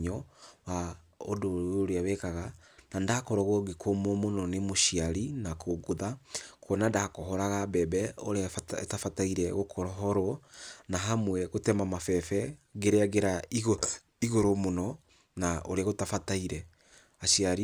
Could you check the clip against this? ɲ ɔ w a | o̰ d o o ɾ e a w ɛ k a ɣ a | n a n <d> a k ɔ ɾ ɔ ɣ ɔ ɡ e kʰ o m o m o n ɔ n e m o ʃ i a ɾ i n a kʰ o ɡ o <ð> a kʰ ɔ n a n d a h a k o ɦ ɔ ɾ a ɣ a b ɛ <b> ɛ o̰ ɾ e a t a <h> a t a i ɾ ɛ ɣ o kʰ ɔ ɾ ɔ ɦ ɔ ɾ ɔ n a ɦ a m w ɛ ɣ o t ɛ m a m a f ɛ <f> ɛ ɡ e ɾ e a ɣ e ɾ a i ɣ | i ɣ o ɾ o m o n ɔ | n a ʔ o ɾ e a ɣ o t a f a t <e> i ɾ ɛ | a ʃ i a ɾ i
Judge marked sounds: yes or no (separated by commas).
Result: yes, yes, yes, no, yes, no